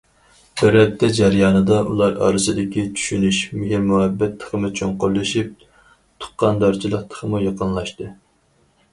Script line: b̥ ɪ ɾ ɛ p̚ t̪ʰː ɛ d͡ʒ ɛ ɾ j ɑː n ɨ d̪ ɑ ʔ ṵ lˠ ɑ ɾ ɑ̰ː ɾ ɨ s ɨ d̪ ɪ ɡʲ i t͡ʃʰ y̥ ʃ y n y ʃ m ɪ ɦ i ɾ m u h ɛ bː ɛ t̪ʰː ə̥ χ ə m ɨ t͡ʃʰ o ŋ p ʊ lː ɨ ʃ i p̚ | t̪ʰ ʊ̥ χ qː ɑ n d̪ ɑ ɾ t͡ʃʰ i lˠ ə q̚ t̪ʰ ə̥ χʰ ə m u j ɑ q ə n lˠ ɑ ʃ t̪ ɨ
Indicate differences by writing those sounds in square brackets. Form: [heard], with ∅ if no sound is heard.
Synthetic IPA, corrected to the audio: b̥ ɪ ɾ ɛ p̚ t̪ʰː ɛ d͡ʒ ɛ ɾ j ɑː n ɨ d̪ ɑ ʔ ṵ lˠ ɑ ɾ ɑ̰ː ɾ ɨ s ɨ d̪ ɪ [kʲ] i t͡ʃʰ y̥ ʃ y n y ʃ m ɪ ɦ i ɾ m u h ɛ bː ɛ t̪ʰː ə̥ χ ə m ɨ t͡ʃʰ o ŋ [q] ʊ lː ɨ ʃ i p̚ | t̪ʰ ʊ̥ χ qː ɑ n d̪ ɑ ɾ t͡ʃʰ i lˠ ə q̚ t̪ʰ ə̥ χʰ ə m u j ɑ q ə n lˠ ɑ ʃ t̪ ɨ

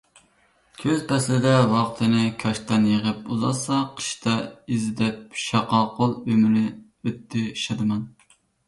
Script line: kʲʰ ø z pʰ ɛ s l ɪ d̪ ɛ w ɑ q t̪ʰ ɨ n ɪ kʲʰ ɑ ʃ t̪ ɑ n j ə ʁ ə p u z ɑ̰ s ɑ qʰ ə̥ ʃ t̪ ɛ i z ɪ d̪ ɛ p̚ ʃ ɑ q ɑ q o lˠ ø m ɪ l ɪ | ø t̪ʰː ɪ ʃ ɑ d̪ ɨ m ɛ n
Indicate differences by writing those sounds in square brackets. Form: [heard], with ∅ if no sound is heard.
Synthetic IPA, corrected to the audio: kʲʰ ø z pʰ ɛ s l ɪ d̪ ɛ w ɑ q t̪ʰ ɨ n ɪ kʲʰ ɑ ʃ t̪ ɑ n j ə ʁ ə p u z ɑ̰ s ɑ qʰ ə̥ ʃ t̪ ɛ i z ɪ d̪ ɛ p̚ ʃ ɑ q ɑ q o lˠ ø m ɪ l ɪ | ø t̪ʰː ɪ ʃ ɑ d̪ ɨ m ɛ n

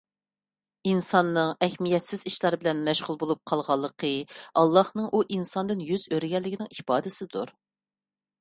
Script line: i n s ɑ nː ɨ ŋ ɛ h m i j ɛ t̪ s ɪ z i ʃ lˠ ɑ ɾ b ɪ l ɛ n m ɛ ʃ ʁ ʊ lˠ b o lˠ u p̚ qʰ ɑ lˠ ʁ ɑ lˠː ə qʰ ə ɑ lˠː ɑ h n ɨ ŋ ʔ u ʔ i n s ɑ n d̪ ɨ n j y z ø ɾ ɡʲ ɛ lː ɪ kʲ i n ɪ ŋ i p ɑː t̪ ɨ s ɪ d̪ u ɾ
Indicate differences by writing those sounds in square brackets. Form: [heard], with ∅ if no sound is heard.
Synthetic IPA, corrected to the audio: i n s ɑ nː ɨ ŋ ɛ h m i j ɛ t̪ s ɪ z i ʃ lˠ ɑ ɾ b ɪ l ɛ n m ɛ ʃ ʁ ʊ lˠ b o lˠ u p̚ qʰ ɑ lˠ ʁ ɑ lˠː ə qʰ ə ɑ lˠː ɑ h n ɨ ŋ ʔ u ʔ i n s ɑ n d̪ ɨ n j y z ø ɾ ɡʲ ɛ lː ɪ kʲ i n ɪ ŋ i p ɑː [d̪] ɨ s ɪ d̪ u ɾ

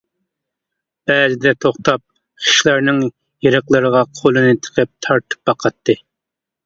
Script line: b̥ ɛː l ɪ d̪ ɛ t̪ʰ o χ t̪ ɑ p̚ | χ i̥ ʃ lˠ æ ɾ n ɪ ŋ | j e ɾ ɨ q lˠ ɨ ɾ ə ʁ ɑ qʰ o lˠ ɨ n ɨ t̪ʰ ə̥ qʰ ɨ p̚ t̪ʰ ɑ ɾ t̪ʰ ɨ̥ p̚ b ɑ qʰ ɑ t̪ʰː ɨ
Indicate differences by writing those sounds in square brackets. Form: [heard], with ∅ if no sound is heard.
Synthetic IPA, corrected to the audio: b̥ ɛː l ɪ d̪ ɛ t̪ʰ o χ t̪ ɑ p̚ | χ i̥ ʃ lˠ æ ɾ n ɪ ŋ | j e ɾ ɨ q lˠ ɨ ɾ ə ʁ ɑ qʰ o lˠ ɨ n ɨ t̪ʰ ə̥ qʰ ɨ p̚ t̪ʰ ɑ ɾ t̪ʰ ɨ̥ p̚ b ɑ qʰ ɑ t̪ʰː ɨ

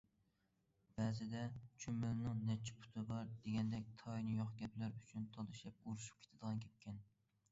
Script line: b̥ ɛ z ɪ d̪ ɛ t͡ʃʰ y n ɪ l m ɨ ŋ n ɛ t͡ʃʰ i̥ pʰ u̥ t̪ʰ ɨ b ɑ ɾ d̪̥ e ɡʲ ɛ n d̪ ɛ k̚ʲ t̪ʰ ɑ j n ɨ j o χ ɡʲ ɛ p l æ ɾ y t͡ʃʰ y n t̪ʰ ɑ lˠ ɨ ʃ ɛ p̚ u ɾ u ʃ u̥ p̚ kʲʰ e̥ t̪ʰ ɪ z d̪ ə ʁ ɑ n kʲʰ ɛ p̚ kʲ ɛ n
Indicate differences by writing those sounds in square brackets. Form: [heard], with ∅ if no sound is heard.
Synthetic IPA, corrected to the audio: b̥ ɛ z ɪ d̪ ɛ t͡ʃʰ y [m] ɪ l [n] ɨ ŋ n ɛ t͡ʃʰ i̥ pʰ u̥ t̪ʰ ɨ b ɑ ɾ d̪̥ e ɡʲ ɛ n d̪ ɛ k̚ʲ t̪ʰ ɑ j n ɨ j o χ ɡʲ ɛ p l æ ɾ y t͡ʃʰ y n t̪ʰ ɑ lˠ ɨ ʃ ɛ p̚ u ɾ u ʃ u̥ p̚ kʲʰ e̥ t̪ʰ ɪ [∅] d̪ ə ʁ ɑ n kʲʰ ɛ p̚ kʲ ɛ n

